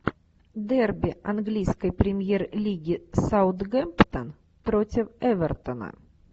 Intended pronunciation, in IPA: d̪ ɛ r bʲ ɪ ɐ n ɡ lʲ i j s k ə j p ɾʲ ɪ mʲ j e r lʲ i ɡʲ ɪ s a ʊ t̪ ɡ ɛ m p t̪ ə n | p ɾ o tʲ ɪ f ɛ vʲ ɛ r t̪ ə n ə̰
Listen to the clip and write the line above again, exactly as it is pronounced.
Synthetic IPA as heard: d̪ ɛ r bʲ ɪ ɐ n ɡ lʲ i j s k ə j p ɾʲ ɪ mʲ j e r lʲ i ɡʲ ɪ s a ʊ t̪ ɡ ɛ m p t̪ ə n | p ɾ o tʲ ɪ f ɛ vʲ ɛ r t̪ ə n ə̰

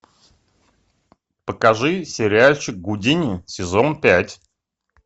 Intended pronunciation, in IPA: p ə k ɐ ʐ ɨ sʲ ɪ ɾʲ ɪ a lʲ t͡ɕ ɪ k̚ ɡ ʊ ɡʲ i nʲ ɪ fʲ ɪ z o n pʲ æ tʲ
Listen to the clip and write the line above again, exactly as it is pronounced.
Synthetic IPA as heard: p ə k ɐ ʐ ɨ sʲ ɪ ɾʲ ɪ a lʲ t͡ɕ ɪ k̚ ɡ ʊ dʲ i nʲ ɪ sʲ ɪ z o n pʲ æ tʲ

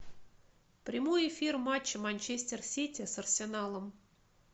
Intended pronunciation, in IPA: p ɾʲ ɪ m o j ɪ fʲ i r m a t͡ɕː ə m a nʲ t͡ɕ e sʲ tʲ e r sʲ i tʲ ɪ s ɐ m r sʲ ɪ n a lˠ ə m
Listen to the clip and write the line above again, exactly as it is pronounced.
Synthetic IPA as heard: p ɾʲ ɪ m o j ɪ fʲ i r m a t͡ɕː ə m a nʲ t͡ɕ e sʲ tʲ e r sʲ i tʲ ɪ s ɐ r sʲ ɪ n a lˠ ə m

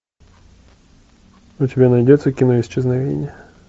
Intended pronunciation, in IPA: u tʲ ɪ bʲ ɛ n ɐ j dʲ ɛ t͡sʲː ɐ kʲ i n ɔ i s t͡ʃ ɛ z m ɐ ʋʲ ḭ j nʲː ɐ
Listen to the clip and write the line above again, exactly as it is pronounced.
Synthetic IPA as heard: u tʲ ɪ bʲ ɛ n ɐ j dʲ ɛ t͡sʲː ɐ kʲ i n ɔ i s t͡ʃ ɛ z n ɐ ʋʲ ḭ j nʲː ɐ

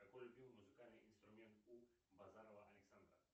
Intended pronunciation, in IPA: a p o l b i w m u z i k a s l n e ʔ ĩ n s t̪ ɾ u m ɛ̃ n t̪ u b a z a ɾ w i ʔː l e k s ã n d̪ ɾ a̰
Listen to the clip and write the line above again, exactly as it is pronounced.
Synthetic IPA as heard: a k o l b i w m u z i k a l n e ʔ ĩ n s t̪ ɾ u m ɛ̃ n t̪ u b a z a ɾ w a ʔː l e k s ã n d̪ ɾ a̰

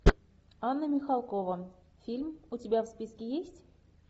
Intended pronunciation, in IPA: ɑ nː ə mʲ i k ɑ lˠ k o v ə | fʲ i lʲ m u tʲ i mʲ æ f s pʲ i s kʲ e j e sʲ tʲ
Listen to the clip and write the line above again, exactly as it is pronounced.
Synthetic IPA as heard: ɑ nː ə mʲ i x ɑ lˠ k o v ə | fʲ i lʲ m u tʲ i bʲ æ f s pʲ i s kʲ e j e sʲ tʲ

